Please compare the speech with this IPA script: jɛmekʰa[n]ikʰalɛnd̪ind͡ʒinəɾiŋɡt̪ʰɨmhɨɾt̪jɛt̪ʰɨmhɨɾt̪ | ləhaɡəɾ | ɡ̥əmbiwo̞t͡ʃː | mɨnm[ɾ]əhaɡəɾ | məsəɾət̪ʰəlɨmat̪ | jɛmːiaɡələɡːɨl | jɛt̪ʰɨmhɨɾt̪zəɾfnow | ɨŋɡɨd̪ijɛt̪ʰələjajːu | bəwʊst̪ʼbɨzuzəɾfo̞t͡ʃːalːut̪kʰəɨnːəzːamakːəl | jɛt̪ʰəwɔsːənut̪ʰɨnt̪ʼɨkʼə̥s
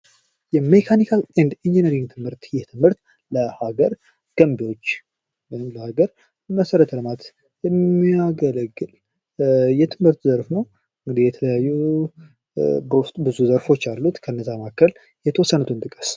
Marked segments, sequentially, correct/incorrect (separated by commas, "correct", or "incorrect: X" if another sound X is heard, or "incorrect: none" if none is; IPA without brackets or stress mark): correct, incorrect: l